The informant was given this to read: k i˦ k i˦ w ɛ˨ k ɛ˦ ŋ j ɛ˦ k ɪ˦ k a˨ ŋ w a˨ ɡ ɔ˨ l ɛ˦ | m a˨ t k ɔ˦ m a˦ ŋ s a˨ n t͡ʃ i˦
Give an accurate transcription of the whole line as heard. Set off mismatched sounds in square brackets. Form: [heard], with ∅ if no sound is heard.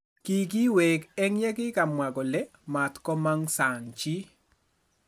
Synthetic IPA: k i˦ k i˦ w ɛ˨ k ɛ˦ ŋ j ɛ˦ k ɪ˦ k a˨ [m] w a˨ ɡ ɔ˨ l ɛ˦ | m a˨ t k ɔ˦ m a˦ ŋ s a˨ [ŋ] t͡ʃ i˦